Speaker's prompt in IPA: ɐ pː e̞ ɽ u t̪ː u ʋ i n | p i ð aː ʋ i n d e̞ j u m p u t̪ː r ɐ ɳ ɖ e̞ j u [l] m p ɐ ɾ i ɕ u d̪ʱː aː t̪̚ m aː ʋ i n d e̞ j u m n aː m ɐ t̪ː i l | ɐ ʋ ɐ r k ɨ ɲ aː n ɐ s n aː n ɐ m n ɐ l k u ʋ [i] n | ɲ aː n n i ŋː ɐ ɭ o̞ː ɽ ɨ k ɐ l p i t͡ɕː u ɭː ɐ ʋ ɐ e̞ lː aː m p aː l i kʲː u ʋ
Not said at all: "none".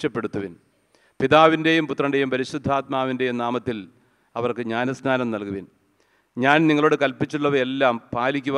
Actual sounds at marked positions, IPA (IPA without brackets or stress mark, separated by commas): none, i